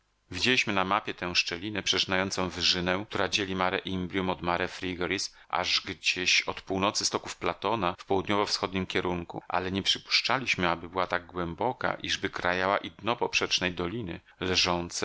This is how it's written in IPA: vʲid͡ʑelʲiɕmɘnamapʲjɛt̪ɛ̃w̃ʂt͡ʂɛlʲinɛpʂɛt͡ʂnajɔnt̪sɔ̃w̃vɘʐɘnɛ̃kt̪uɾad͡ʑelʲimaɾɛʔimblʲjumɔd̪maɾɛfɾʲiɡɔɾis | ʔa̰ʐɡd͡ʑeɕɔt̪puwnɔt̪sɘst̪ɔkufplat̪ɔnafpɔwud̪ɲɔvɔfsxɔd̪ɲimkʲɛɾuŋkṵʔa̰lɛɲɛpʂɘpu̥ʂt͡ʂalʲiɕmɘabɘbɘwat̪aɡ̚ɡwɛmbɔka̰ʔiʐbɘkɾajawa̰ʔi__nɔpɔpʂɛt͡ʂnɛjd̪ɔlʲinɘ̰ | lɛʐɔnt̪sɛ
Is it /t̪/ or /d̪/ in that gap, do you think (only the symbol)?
d̪